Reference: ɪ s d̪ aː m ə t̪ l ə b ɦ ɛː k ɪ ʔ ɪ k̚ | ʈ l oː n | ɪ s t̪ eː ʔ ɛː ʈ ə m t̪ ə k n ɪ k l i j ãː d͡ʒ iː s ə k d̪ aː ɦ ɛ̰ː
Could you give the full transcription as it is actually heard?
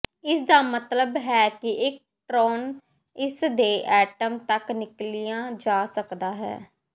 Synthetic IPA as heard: ɪ s d̪ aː m ə t̪ l ə b ɦ ɛː k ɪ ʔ ɪ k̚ | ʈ ɾ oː n | ɪ s d̪ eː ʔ ɛː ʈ ə m t̪ ə k n ɪ k l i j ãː d͡ʒ aː s ə k d̪ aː ɦ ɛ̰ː